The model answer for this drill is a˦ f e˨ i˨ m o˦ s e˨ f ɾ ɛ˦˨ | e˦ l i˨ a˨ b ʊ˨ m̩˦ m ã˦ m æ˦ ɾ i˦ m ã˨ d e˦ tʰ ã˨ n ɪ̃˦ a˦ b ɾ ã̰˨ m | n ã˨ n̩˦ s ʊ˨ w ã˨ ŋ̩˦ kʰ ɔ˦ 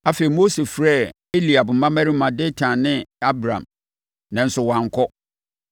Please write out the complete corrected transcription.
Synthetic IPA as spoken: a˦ f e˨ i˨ m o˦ s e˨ f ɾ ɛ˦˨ | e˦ l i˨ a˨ b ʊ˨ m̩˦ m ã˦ m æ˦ ɾ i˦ m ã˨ d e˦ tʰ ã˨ n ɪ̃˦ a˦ b ɾ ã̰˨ m | n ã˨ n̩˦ s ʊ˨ w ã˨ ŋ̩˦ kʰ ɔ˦